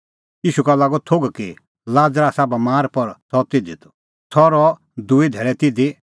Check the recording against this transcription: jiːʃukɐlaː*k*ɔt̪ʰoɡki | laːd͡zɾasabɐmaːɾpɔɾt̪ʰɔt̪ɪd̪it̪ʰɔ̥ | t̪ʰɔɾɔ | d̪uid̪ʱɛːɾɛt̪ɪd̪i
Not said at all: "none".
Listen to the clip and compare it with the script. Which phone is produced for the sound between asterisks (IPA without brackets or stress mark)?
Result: ɡ